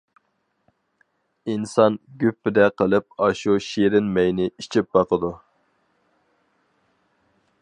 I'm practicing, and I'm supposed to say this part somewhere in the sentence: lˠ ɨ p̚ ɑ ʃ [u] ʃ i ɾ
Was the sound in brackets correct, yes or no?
yes